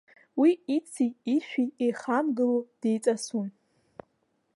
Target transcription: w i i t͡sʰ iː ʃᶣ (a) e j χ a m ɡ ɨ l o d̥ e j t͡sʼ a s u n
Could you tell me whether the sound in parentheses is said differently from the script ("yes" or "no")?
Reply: yes